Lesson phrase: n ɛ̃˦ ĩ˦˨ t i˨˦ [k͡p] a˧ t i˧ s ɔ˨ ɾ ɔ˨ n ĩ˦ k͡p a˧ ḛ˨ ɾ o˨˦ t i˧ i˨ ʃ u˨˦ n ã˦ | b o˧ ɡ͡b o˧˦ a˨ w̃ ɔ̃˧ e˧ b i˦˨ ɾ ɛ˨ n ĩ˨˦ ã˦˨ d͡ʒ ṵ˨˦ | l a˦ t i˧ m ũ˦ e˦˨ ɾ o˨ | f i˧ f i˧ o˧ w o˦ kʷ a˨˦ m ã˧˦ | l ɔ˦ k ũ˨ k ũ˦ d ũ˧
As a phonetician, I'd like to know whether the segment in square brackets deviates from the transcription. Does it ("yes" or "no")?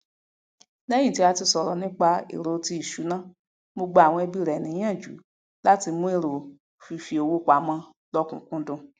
yes